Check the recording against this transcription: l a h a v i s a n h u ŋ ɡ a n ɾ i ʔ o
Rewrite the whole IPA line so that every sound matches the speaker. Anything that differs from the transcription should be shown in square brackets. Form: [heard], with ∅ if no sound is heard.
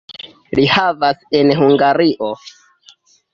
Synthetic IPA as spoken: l [i] h a v [a] s [e] n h u ŋ ɡ a [∅] ɾ i ʔ o